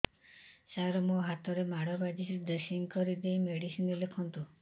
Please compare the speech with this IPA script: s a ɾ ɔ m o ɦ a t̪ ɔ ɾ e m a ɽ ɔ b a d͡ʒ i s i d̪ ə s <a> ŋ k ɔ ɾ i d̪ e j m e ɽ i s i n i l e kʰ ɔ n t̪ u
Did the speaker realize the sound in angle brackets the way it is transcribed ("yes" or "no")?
no